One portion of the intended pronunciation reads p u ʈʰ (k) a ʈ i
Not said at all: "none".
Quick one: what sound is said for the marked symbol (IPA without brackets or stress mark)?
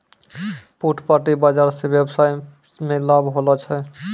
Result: p